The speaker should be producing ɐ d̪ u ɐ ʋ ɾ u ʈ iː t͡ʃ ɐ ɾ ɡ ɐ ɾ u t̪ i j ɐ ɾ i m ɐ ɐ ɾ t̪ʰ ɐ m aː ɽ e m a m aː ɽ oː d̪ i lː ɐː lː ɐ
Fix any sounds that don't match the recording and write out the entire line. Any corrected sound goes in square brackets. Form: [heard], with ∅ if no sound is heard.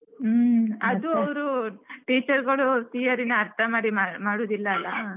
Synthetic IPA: ɐ d̪ u ɐ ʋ ɾ u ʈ iː t͡ʃ ɐ ɾ ɡ ɐ [ɭ] u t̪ i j ɐ ɾ i [n] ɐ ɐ ɾ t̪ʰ ɐ m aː ɽ [i] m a m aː ɽ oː d̪ i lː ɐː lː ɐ